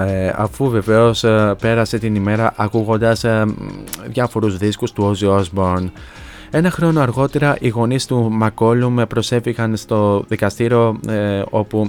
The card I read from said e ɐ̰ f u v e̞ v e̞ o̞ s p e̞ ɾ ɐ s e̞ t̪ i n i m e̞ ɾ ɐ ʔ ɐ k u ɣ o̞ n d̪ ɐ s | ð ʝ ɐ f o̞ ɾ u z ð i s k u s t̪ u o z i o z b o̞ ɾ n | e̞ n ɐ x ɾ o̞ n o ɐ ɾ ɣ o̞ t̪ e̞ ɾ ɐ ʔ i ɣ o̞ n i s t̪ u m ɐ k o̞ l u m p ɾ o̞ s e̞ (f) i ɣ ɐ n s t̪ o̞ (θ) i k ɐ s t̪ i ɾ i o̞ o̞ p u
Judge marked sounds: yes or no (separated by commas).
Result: yes, no